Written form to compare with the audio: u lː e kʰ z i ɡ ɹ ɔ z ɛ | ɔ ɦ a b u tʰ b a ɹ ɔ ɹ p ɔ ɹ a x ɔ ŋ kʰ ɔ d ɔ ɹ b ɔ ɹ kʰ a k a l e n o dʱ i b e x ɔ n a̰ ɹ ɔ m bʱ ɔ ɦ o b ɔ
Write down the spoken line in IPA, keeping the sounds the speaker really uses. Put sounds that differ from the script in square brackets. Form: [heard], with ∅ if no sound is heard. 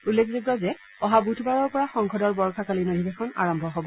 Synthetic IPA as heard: u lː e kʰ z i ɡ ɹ ɔ z ɛ | ɔ ɦ a b u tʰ b a ɹ ɔ ɹ p ɔ ɹ a x ɔ ŋ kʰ ɔ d ɔ ɹ b ɔ ɹ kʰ a k a l [i] n o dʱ i b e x ɔ n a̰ ɹ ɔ m bʱ ɔ ɦ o b ɔ